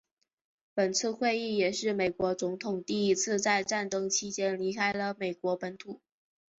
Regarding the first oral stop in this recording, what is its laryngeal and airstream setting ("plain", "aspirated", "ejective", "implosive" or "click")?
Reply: plain